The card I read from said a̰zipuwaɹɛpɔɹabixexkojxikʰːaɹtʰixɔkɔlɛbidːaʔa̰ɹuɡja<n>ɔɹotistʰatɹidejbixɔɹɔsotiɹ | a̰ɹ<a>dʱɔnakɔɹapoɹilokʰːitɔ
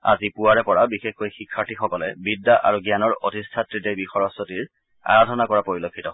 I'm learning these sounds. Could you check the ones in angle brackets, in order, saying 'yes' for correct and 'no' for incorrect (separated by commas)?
yes, yes